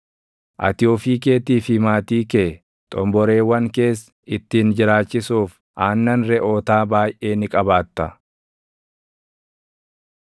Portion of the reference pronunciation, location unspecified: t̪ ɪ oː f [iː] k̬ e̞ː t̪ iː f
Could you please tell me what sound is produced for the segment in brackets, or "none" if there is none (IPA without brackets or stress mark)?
iː